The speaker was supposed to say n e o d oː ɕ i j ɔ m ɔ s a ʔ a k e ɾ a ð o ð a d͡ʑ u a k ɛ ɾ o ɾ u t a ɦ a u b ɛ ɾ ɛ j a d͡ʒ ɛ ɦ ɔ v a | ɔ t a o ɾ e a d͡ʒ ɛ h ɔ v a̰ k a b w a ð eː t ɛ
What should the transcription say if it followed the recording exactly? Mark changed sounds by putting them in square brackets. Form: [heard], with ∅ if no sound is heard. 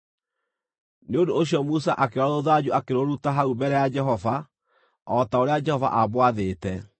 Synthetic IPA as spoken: n e o d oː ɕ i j ɔ m [u] s a ʔ a k e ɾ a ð o ð a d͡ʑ u a k [e] ɾ o ɾ u t a ɦ a u b ɛ ɾ ɛ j a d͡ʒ ɛ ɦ ɔ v a | ɔ t a o ɾ e a d͡ʒ ɛ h ɔ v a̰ [ʔ] a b w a ð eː t ɛ